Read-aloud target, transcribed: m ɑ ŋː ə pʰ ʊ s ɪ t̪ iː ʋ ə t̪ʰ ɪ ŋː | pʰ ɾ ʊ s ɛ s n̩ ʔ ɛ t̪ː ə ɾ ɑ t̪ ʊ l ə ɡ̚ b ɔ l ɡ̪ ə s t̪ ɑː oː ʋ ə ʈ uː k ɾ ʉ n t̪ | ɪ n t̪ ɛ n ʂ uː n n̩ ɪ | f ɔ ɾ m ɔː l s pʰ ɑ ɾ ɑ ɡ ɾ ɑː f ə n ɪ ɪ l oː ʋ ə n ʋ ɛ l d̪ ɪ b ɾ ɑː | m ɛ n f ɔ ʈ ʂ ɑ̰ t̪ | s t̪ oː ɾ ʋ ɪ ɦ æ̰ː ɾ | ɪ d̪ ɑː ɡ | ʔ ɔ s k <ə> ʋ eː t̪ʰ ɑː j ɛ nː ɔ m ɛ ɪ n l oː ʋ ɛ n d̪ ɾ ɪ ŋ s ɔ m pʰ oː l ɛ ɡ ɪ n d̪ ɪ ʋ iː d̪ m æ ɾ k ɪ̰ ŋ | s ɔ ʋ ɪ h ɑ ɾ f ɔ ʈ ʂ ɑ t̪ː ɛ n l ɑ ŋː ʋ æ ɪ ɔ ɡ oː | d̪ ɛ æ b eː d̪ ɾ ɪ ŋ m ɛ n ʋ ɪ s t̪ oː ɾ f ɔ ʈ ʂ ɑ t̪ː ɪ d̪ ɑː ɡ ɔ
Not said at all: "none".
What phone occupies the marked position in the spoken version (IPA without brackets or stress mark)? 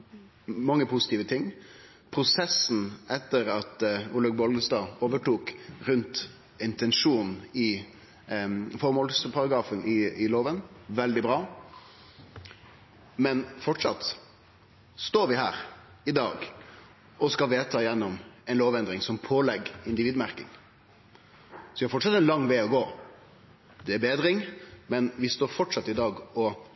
ɑ